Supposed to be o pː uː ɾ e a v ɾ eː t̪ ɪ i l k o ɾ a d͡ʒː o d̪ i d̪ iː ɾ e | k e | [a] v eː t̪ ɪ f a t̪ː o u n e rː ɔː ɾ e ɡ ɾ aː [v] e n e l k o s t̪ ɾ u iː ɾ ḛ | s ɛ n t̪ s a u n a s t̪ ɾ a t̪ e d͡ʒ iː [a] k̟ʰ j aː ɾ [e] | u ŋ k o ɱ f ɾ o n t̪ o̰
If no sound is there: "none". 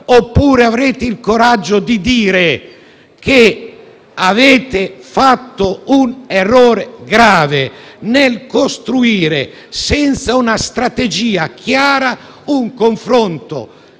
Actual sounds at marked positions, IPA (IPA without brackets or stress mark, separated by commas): a, v, a, a